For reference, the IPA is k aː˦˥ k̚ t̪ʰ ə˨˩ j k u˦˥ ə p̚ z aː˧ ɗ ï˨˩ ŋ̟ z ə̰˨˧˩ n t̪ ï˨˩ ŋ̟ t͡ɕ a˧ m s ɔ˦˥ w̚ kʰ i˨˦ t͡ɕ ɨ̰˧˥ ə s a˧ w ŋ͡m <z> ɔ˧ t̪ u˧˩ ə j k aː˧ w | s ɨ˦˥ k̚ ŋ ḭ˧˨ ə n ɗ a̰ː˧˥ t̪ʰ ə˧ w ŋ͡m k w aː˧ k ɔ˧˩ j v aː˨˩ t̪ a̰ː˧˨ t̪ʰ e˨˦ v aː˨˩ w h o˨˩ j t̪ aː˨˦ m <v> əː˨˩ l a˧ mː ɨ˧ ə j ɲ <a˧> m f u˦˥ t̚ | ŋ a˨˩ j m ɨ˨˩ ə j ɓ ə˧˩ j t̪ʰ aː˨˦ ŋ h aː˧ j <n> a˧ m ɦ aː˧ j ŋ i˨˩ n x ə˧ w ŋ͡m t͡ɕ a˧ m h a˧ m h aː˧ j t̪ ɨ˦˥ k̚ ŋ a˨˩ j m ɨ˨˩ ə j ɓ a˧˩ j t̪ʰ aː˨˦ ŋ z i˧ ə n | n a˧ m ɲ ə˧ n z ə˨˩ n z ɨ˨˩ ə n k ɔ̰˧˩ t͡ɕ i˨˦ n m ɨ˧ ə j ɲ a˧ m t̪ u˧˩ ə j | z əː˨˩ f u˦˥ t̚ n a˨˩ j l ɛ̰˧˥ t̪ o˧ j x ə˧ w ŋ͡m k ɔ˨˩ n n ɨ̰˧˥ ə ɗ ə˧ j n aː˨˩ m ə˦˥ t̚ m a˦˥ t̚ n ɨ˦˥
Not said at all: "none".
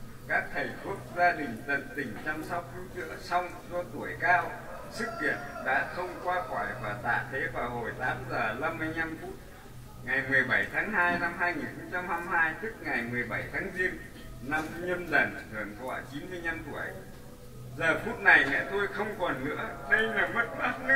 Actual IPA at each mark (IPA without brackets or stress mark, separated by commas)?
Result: z, z, a˧, n